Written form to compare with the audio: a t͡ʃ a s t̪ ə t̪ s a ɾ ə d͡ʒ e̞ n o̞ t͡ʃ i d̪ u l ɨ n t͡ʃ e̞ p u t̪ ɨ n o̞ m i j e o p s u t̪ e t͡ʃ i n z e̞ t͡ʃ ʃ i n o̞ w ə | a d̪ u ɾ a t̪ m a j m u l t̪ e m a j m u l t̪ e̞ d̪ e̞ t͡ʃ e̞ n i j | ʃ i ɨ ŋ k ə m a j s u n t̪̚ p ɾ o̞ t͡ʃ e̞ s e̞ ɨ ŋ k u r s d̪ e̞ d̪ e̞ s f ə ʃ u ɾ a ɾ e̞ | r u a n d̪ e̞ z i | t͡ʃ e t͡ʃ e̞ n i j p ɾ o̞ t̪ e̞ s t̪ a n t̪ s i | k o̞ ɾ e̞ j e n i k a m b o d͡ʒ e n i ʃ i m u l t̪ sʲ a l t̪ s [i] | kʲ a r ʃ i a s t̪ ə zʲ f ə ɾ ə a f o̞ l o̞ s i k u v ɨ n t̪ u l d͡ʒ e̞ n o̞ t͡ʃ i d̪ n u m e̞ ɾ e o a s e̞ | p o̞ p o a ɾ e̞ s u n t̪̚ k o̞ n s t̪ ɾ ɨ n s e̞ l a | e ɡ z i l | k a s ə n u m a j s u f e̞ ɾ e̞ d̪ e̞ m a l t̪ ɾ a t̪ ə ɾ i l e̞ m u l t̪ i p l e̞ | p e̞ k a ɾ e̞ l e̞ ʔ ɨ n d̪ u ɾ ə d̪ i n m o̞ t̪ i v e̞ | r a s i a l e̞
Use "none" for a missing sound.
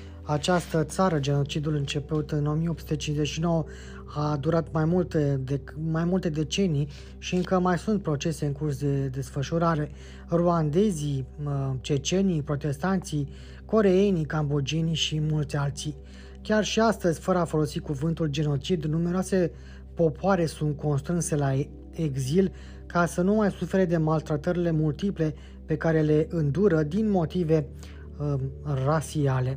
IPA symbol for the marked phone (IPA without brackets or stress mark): i